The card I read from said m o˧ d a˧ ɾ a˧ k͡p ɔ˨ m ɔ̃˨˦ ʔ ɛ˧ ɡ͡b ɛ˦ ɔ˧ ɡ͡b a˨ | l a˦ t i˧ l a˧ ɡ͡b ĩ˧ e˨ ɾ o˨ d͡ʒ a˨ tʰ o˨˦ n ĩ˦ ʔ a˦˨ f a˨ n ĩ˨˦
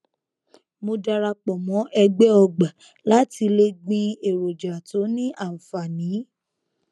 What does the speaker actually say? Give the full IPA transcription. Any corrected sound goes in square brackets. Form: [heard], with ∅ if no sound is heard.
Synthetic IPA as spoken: m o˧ d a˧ ɾ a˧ k͡p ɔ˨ m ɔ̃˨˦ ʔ ɛ˧ ɡ͡b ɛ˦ ɔ˧ ɡ͡b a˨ | l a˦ t i˧ l [e˧] ɡ͡b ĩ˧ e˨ ɾ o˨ d͡ʒ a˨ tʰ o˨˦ n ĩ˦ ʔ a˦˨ f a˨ n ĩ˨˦